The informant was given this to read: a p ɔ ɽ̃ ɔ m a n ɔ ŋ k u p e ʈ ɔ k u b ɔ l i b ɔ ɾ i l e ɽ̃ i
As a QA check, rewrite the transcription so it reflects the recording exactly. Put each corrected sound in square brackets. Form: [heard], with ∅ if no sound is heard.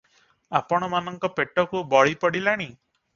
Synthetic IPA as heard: a p ɔ ɽ̃ ɔ m a n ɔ ŋ k [ɔ] p e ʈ ɔ k u b ɔ [ɭ] i [p] ɔ [ɽ] i l [a] ɽ̃ i